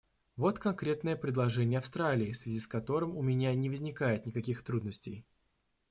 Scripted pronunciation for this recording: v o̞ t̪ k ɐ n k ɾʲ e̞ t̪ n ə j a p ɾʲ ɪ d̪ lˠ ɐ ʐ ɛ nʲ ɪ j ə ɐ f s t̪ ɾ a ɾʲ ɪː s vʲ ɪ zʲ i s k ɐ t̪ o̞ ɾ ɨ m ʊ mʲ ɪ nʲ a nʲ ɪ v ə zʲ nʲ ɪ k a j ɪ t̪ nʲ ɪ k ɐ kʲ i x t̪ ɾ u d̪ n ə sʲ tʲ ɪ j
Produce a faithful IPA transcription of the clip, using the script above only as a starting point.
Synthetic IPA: v o̞ t̪ k ɐ n k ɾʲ e̞ t̪ n ə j ə p ɾʲ ɪ d̪ lˠ ɐ ʐ ɛ nʲ ɪ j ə ɐ f s t̪ ɾ a lʲ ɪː s vʲ ɪ zʲ i s k ɐ t̪ o̞ ɾ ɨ m ʊ mʲ ɪ nʲ a nʲ ɪ v ə zʲ nʲ ɪ k a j ɪ t̪ nʲ ɪ k ɐ kʲ i x t̪ ɾ u d̪ n ə sʲ tʲ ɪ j